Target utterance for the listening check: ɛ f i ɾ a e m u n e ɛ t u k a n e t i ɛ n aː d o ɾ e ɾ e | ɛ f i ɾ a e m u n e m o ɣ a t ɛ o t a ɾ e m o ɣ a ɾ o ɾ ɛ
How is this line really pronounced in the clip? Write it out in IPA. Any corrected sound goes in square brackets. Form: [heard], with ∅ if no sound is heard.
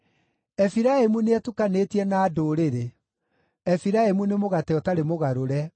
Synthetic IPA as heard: ɛ f i ɾ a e m u n e ɛ t u k a n e t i ɛ n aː d o ɾ e ɾ e | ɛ f i ɾ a e m u n e m o ɣ a t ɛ [ɔ] t a ɾ e m o ɣ a ɾ o ɾ ɛ